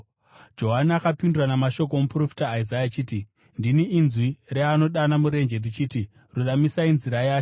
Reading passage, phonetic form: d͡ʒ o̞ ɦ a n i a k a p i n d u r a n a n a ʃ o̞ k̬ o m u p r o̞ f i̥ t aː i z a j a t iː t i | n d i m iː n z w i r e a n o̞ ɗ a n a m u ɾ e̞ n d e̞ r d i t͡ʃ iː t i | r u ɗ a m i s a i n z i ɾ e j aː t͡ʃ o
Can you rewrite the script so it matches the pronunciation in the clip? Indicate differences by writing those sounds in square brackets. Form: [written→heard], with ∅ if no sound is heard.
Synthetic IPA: d͡ʒ o̞ ɦ a n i a k a p i n d u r a n a [n→m] a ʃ o̞ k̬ o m u p r o̞ f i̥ t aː i z a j a [t→t͡ʃ] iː t i | n d i [m→n] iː n z w i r e a n o̞ ɗ a n a m u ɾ e̞ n [d→d͡ʒ] e̞ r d i t͡ʃ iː t i | r u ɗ a m i s a i n z i ɾ [e→a] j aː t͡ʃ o